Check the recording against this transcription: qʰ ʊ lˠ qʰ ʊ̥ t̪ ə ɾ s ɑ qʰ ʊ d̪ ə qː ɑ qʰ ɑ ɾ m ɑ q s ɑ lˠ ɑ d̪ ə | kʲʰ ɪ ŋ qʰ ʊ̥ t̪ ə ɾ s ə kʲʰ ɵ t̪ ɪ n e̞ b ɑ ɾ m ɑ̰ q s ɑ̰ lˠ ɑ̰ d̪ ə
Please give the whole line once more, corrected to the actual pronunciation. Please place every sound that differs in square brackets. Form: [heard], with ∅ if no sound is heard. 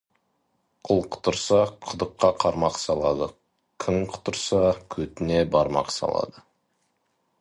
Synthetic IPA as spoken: qʰ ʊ lˠ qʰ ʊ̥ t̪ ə ɾ s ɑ qʰ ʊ d̪ ə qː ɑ qʰ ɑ ɾ m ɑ q s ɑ lˠ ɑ d̪ ə | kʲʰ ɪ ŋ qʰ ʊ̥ t̪ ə ɾ s [ɑ] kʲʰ ɵ t̪ ɪ n e̞ b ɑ ɾ m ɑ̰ q s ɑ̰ lˠ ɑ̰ d̪ ə